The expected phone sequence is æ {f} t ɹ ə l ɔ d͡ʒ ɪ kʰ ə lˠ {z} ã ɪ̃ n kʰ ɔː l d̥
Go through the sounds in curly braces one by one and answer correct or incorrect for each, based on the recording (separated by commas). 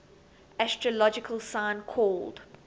incorrect, incorrect